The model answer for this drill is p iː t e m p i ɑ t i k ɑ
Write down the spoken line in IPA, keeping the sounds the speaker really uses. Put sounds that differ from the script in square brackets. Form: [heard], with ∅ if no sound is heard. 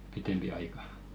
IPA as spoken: p [i] t e m p i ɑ [∅] i k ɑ